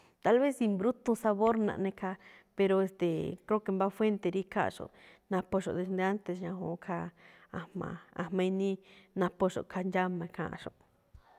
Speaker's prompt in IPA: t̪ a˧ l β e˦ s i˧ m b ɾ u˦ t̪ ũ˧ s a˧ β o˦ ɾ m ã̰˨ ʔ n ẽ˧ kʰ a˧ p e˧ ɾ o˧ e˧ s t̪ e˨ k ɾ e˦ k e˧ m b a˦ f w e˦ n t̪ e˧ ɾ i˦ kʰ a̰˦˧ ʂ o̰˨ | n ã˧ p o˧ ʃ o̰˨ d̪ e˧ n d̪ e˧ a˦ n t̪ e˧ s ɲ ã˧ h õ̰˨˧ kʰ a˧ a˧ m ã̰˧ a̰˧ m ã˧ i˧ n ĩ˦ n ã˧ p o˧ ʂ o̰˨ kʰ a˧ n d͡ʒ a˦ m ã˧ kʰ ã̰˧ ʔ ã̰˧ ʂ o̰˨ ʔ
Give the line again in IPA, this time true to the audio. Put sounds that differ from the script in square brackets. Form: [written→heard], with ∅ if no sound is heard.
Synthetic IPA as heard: t̪ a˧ l β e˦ s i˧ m b ɾ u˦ t̪ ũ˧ s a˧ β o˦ ɾ [m→n] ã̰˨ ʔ n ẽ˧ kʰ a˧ p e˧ ɾ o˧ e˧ s t̪ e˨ k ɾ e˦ k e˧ m b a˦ f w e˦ n t̪ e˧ ɾ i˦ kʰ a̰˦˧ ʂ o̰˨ | n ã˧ p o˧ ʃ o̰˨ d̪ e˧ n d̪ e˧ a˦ n t̪ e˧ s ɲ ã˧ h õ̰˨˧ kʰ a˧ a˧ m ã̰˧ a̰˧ m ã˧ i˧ n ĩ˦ n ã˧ p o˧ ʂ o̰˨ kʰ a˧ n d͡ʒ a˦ m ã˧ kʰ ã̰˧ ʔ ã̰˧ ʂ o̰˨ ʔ